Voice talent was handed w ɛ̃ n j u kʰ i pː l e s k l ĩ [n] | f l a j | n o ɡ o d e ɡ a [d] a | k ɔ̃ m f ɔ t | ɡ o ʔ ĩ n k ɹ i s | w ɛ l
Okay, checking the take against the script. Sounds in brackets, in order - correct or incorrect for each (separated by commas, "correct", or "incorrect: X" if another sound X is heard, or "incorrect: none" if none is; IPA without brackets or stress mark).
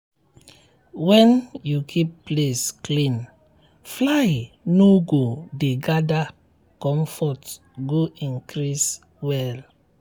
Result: correct, correct